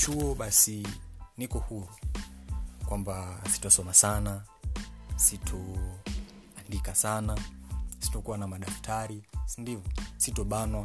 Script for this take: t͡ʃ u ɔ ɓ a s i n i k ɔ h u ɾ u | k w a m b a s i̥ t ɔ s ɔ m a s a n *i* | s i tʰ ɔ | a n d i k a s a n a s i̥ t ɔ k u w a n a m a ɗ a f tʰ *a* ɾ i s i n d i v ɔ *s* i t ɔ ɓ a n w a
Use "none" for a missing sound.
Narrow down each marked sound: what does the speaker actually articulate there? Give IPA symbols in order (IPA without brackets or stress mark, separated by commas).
a, a, s